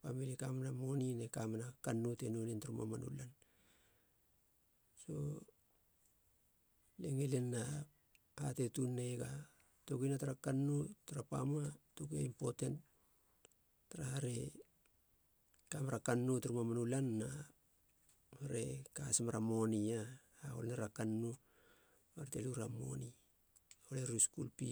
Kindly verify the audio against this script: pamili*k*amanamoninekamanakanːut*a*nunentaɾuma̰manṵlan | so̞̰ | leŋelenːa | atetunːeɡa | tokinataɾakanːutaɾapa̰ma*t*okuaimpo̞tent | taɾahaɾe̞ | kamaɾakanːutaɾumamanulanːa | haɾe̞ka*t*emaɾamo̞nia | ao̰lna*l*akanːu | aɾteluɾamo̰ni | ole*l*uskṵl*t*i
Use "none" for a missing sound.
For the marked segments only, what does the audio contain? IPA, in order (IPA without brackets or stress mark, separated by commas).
k, e, t, s, ɾ, ɾ, p